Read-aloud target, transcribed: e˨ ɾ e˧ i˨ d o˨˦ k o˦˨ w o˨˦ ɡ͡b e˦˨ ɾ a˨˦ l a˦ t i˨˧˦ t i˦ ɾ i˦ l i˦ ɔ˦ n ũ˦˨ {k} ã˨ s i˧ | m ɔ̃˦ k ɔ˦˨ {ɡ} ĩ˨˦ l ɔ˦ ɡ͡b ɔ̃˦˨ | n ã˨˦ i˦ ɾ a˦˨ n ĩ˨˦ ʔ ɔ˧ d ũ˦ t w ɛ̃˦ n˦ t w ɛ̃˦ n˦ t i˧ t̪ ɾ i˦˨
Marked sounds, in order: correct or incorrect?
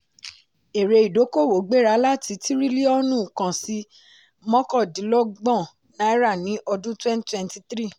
correct, incorrect

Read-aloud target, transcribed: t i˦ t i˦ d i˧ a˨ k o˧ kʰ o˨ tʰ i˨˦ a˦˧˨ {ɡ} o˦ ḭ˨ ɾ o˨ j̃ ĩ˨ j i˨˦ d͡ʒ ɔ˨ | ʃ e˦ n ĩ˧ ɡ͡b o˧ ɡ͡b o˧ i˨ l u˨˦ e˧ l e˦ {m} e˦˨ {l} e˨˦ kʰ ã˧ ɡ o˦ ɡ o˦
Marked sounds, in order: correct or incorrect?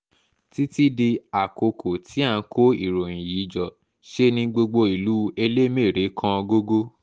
incorrect, correct, incorrect

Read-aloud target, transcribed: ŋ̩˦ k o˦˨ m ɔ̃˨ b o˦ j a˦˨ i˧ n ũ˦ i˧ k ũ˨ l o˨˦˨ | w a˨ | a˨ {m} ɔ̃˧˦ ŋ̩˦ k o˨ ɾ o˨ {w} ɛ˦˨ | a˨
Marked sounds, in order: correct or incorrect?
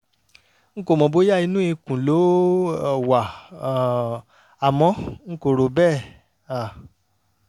correct, incorrect

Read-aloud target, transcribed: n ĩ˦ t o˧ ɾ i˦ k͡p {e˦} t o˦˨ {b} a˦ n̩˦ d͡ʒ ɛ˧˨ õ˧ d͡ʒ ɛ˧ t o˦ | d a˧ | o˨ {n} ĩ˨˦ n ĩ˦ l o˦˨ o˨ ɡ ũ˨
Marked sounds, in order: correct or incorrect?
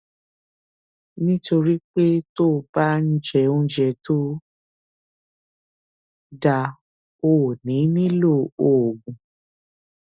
correct, correct, correct

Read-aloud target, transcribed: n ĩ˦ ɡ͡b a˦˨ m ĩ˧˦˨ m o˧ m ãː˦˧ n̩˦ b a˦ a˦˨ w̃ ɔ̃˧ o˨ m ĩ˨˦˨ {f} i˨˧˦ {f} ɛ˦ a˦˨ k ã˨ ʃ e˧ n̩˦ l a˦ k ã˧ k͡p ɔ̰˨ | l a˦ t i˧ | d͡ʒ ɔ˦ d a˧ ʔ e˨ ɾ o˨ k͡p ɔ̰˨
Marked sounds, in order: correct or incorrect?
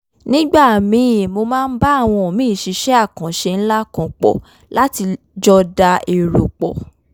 incorrect, incorrect

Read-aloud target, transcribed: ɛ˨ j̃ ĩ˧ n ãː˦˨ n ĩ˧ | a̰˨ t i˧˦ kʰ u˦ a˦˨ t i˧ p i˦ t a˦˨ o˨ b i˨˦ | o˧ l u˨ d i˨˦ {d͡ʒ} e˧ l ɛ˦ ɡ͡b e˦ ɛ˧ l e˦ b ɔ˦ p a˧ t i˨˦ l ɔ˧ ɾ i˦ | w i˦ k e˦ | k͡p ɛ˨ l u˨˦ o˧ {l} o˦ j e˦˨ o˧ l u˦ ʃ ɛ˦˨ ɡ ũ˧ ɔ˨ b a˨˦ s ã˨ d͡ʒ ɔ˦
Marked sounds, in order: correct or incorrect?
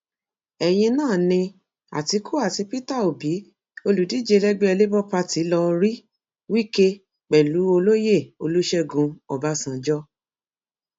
correct, correct

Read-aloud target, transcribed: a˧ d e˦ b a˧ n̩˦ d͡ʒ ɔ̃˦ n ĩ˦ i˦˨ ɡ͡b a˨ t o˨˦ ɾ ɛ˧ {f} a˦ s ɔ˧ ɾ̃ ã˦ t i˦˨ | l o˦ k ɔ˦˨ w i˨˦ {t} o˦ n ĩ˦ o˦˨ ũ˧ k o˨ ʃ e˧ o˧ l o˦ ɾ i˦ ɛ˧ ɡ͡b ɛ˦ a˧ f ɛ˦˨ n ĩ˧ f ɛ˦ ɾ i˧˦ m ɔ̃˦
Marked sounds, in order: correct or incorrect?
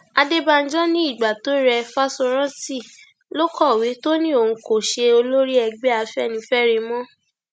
correct, correct

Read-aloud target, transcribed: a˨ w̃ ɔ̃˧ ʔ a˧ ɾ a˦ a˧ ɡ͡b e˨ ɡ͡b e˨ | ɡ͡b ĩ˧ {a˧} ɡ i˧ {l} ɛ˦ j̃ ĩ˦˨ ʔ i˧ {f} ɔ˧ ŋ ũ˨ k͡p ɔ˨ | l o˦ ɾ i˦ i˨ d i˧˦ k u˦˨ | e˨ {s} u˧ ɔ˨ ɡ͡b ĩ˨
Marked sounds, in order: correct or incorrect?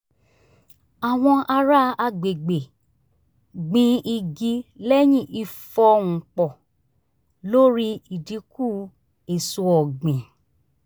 incorrect, correct, correct, correct

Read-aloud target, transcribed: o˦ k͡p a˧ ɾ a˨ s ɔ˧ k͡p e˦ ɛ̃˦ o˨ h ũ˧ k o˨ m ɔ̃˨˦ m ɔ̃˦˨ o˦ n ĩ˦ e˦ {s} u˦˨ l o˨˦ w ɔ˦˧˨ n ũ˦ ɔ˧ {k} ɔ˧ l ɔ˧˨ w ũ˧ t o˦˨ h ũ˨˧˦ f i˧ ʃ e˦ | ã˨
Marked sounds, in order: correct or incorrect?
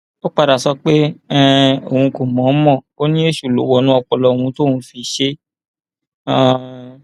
incorrect, incorrect

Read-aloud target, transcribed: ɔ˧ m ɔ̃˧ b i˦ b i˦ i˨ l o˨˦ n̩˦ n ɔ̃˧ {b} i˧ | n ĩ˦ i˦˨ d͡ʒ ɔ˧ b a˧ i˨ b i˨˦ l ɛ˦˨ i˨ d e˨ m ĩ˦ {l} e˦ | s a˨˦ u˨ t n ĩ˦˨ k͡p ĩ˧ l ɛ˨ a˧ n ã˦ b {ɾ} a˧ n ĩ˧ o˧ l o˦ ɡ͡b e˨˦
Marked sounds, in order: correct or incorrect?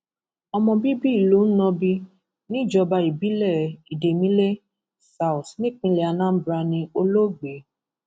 correct, correct, correct

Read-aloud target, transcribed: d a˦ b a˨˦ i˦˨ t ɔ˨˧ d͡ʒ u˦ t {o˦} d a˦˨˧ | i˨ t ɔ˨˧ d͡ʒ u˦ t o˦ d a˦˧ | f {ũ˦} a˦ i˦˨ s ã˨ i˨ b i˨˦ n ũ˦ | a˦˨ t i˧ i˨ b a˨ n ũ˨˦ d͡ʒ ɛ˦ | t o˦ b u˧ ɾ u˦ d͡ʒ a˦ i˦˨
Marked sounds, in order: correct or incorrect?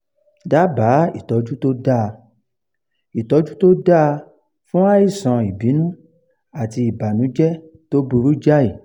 correct, correct

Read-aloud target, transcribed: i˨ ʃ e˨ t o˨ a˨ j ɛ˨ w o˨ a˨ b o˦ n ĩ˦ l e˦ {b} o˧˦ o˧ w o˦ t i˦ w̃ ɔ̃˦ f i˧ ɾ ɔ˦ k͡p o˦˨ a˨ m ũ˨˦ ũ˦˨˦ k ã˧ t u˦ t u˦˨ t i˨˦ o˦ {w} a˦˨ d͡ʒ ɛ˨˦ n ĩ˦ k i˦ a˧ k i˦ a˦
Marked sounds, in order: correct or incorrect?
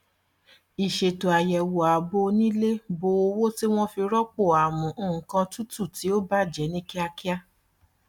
correct, incorrect

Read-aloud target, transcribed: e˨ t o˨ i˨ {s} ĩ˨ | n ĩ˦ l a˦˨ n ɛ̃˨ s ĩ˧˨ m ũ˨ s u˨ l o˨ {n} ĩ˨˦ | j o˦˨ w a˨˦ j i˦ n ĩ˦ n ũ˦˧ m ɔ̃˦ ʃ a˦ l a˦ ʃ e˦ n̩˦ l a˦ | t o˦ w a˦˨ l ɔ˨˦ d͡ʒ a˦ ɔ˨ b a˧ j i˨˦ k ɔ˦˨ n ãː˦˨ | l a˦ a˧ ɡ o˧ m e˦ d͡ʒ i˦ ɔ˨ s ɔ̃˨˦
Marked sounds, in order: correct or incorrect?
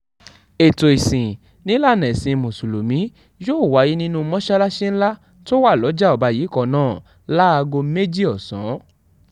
correct, incorrect

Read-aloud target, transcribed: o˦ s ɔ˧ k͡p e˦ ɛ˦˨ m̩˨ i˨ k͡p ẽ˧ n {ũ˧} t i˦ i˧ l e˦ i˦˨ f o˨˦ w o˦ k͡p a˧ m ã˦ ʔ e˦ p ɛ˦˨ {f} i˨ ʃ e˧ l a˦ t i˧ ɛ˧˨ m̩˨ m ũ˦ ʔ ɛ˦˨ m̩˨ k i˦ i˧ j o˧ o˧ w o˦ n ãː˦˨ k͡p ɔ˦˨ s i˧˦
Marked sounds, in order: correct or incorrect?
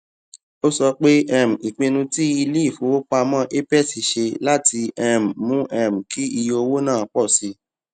correct, incorrect

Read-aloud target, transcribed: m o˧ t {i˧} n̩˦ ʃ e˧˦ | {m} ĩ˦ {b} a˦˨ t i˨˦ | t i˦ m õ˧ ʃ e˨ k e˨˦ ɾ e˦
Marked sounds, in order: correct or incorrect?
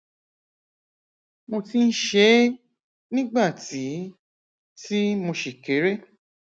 correct, incorrect, incorrect

